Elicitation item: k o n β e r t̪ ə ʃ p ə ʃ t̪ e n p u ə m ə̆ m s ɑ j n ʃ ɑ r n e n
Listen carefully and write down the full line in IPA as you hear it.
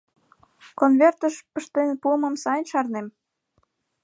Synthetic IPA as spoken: k o n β e r t̪ ə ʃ p ə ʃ t̪ e n p u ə m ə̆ m s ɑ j n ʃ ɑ r n e m